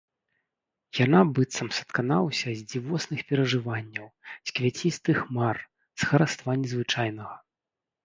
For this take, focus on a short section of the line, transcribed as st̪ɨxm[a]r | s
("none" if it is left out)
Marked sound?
a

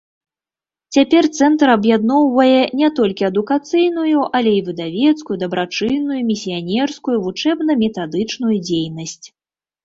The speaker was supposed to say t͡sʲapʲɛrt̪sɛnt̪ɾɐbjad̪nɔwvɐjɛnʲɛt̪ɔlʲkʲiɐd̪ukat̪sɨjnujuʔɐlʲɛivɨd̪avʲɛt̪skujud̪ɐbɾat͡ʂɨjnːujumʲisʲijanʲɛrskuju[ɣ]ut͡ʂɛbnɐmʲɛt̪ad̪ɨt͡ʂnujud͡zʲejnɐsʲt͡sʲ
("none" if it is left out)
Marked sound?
v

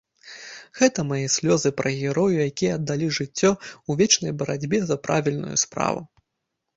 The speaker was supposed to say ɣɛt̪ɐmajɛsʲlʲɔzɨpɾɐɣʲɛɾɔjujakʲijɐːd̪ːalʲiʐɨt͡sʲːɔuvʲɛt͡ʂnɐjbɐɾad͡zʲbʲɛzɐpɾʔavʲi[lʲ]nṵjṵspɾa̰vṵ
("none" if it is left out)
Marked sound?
lʲ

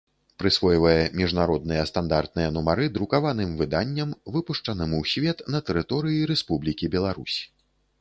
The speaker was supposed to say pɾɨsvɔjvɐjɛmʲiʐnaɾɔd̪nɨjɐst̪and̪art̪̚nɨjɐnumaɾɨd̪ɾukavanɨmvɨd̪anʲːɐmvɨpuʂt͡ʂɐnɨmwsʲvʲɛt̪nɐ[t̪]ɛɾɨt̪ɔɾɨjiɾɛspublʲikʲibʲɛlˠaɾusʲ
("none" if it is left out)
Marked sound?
t̪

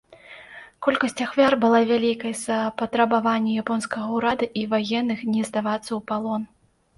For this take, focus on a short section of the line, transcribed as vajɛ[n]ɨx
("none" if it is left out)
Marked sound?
nː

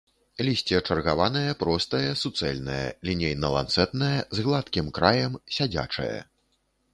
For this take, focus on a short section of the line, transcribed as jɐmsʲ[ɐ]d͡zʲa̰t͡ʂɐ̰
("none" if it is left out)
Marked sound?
a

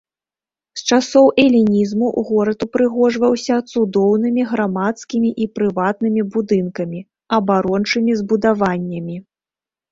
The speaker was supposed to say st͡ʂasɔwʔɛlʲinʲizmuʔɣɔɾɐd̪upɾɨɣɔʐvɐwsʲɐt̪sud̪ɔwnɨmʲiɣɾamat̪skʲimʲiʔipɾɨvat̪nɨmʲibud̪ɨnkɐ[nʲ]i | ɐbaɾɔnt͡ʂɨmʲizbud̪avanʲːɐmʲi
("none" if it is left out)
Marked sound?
mʲ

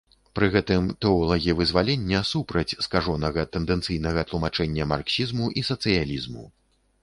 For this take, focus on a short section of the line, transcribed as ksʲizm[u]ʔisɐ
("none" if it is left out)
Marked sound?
u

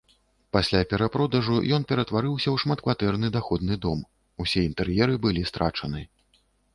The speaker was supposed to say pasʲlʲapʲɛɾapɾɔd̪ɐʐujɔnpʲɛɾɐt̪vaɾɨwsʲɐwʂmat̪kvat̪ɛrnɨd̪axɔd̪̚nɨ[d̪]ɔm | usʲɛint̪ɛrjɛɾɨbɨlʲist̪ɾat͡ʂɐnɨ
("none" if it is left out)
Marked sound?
d̪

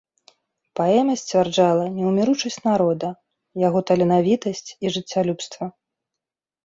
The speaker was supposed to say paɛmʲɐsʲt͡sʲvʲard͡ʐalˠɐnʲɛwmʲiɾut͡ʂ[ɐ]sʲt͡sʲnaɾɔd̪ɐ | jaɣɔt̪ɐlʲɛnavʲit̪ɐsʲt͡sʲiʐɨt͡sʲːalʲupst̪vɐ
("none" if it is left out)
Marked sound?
ɐ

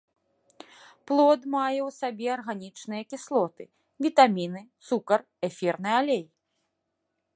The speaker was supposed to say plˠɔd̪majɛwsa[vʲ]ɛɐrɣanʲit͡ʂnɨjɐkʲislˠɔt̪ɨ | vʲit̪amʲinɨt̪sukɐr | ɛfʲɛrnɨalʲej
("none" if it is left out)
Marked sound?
bʲ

